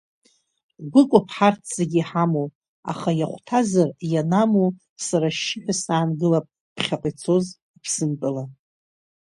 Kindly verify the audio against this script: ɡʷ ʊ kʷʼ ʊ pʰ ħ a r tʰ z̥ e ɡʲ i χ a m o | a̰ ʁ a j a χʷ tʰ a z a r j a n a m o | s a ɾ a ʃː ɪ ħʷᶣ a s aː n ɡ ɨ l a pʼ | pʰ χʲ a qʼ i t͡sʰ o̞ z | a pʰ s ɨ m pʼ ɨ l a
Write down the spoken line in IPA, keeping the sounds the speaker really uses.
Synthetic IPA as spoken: ɡʷ ʊ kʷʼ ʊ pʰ ħ a r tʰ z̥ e ɡʲ i ħ a m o | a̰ χ a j a χʷ tʰ a z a r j a n a m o | s a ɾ a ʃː ɪ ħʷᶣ a s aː n ɡ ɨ l a pʼ | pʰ χʲ a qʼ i t͡sʰ o̞ z | i pʰ s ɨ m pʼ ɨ l a